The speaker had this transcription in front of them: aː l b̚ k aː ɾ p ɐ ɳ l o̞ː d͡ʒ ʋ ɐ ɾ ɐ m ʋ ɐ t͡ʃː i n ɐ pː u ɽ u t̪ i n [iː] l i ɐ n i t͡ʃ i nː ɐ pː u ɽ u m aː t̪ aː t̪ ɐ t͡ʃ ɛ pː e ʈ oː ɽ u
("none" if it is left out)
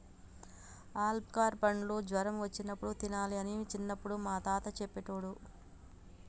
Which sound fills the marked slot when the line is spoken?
aː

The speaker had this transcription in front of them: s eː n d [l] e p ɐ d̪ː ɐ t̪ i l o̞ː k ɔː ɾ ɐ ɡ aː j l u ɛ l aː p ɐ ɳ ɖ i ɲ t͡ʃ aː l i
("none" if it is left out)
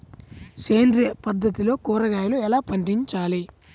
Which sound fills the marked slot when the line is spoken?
ɾ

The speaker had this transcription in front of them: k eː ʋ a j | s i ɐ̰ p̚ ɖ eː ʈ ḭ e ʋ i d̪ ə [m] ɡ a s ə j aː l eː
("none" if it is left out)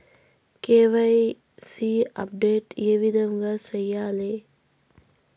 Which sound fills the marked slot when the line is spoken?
m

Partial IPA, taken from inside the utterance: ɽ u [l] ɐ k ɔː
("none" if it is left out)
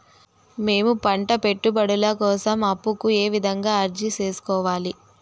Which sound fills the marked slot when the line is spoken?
l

